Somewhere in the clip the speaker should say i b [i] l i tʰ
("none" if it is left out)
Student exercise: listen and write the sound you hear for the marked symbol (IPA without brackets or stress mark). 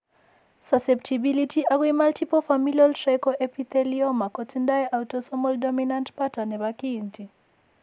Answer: i